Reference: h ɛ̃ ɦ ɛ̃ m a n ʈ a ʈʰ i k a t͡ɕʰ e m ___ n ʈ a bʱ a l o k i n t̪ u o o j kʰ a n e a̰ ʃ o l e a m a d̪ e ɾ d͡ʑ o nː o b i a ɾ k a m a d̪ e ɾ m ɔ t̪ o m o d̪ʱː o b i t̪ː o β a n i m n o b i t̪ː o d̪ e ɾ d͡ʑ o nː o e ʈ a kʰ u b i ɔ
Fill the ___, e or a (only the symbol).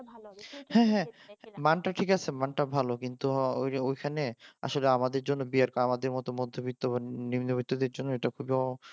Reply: a